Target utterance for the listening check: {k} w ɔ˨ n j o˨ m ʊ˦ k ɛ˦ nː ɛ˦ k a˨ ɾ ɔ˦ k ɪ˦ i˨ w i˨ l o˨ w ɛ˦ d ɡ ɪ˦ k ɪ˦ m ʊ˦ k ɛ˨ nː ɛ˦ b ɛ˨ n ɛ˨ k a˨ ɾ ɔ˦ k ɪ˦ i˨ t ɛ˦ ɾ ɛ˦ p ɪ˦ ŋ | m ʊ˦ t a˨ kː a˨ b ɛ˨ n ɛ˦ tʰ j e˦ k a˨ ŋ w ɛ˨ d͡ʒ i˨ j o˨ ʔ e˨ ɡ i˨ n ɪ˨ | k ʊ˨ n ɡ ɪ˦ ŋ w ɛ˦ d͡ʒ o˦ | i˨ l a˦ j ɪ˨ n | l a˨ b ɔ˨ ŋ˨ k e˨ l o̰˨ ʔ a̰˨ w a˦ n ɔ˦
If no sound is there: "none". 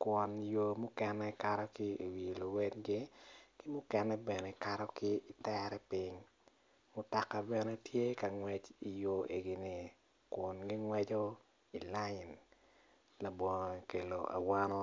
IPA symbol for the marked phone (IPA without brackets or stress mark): k